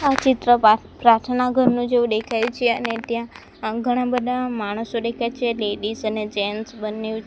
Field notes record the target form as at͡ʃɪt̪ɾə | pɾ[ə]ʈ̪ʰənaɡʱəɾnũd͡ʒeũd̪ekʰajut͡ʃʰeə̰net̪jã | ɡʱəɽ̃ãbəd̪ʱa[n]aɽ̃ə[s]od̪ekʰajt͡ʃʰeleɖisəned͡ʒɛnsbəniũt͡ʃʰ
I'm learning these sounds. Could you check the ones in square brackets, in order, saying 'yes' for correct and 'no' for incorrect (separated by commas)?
no, no, yes